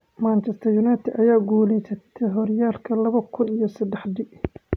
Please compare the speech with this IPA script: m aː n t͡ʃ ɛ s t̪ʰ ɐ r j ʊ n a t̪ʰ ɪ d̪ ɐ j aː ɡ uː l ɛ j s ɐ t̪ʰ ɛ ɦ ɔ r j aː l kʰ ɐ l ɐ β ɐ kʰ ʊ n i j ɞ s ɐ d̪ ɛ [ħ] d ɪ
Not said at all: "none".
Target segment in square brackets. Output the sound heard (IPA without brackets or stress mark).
ħ